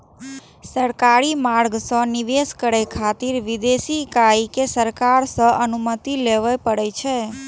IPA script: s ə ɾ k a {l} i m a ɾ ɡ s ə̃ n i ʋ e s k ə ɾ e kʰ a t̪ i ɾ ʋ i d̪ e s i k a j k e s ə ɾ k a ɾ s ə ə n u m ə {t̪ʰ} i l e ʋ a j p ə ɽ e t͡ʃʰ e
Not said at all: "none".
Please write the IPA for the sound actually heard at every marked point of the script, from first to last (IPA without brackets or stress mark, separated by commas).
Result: ɾ, t̪